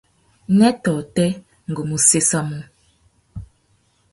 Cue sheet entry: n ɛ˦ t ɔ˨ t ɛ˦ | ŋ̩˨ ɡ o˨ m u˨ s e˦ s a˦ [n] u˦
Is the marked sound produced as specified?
no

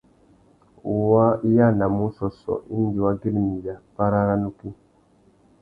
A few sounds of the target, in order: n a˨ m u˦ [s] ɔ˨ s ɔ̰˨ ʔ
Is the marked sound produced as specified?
yes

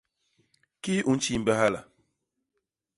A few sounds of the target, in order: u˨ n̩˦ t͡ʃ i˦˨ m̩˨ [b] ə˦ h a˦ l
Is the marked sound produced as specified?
yes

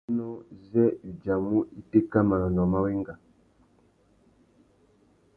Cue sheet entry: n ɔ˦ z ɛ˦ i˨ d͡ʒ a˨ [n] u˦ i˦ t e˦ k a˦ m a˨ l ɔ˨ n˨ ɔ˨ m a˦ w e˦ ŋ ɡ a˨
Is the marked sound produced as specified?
no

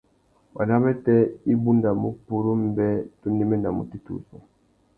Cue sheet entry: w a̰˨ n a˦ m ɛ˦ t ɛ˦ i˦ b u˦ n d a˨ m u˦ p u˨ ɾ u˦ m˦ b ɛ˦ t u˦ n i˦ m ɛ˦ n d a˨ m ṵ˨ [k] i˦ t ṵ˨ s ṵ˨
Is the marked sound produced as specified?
no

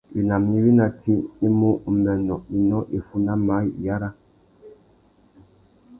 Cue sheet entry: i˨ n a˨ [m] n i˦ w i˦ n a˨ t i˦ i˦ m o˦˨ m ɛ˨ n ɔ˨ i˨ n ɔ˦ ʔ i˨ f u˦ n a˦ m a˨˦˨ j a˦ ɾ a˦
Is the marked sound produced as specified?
yes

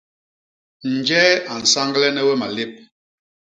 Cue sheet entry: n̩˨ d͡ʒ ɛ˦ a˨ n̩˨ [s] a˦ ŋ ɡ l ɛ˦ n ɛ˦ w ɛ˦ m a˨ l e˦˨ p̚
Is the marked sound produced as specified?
yes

